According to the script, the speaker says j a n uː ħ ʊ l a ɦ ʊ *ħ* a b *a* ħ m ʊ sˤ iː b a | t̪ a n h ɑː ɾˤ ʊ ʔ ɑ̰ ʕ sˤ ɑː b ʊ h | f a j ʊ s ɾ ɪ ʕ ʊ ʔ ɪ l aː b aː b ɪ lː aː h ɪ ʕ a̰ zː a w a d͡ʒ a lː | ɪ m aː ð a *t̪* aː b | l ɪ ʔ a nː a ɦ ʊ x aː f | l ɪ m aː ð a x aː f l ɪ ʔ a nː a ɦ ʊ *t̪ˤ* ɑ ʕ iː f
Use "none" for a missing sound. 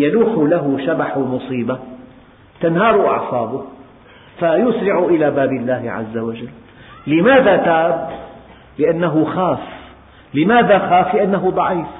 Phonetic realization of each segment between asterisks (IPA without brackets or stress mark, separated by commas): ʃ, a, t̪, d̪ˤ